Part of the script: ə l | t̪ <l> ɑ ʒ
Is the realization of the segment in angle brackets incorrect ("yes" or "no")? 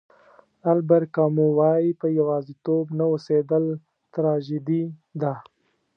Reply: yes